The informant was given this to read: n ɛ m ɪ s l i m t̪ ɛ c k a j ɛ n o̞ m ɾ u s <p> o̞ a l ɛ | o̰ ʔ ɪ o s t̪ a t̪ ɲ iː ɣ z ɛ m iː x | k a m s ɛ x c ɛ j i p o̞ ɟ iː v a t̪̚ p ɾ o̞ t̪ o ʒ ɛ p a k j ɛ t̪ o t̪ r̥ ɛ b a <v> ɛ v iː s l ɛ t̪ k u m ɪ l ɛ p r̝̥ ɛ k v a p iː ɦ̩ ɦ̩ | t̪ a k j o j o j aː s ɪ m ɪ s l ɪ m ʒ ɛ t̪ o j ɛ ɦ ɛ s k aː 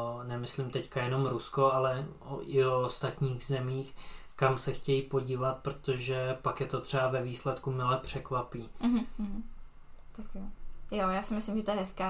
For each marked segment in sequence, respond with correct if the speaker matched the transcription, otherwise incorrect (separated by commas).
incorrect, correct